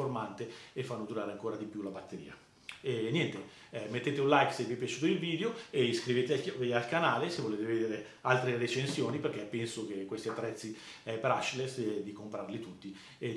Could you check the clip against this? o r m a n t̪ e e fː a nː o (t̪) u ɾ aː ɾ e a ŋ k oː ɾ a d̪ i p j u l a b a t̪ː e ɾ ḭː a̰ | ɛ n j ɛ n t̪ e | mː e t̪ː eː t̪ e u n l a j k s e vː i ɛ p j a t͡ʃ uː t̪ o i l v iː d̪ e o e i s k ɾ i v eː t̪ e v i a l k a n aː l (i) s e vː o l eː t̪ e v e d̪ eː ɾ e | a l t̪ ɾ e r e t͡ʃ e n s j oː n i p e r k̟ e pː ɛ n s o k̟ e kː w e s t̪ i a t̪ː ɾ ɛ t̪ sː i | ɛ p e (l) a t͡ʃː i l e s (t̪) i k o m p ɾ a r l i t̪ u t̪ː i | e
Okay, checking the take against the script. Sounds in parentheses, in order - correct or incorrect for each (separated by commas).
incorrect, incorrect, incorrect, incorrect